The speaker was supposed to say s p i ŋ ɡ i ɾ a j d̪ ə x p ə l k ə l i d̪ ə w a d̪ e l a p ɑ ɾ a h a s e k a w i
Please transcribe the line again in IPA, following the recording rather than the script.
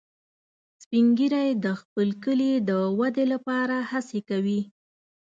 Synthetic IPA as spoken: s p i ŋ ɡ i ɾ a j d̪ ə x p ə l k ə l i d̪ ə w a d̪ e l a p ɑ ɾ a h a s e k a w i